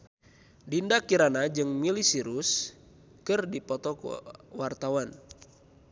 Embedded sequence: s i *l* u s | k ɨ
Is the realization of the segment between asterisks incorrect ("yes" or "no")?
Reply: yes